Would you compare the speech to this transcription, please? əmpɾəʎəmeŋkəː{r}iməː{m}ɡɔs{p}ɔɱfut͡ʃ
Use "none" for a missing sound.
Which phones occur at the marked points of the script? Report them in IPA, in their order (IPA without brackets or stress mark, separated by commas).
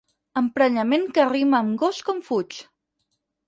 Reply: r, m, k